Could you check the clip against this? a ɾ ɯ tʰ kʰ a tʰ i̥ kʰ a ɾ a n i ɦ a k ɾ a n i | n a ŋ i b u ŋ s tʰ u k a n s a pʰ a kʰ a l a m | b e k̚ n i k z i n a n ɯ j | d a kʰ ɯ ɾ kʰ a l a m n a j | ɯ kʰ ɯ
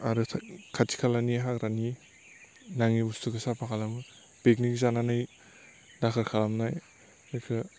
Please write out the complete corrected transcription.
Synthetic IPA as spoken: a ɾ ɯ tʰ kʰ a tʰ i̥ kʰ a l a n i ɦ a k ɾ a n i | n a ŋ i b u s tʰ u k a s a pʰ a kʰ a l a m | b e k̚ n i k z a n a n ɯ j | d a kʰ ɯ ɾ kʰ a l a m n a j | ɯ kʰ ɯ